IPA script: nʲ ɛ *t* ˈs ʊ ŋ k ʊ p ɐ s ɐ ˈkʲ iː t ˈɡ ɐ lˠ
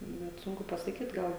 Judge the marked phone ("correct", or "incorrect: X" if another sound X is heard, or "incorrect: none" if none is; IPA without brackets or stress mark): correct